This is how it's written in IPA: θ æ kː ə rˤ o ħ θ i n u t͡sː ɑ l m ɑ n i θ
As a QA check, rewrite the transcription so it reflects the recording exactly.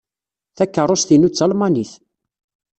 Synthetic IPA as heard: θ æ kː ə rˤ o s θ i n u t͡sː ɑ l m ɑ n i θ